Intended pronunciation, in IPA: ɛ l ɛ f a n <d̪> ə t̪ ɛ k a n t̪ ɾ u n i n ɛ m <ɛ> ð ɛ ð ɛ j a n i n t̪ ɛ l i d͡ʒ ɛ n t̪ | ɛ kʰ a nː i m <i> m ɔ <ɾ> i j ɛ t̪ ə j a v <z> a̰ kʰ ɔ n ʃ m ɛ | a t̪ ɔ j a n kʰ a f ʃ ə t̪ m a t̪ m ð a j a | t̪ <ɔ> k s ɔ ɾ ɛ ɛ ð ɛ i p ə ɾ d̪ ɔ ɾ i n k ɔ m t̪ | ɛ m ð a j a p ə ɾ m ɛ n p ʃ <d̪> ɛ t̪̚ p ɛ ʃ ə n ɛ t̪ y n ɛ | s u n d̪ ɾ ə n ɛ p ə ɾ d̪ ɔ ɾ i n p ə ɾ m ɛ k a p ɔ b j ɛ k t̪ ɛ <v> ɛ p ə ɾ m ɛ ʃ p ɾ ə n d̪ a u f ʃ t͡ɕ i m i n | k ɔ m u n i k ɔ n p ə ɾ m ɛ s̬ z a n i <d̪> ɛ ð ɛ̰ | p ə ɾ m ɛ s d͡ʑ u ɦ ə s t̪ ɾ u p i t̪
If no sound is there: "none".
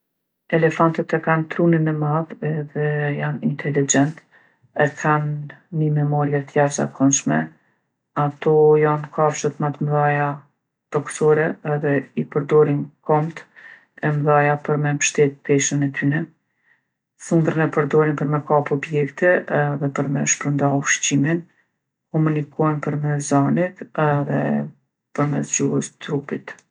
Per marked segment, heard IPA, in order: t̪, a, ɛ, ɾ, z, ɔ, t̪, ð, t̪

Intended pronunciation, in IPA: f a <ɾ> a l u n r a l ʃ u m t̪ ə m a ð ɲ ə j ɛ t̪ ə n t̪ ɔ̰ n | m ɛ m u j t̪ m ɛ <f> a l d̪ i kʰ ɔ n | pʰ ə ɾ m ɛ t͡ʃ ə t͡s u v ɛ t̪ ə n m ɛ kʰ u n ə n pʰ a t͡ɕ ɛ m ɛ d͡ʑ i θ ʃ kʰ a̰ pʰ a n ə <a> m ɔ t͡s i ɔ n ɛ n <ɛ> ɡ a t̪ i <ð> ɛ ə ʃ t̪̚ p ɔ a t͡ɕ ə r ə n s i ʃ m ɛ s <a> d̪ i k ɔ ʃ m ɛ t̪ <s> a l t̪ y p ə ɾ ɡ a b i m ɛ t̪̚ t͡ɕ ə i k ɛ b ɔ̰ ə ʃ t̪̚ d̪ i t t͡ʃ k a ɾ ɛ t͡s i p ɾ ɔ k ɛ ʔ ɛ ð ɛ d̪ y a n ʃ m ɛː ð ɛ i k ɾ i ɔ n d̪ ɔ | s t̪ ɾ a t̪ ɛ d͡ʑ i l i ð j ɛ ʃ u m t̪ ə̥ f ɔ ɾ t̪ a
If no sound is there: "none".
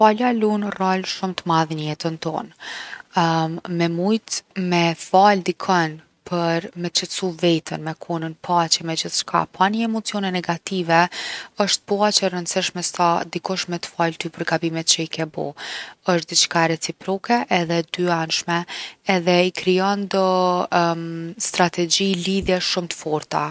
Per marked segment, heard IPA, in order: l, f, ɛ, ɛ, v, a, f

